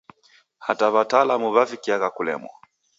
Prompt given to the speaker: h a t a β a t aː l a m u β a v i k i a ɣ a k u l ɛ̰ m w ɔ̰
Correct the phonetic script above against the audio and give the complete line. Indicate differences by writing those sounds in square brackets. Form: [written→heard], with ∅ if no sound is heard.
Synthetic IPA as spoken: h a t a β a t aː l a m u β a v i k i a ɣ a k u l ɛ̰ m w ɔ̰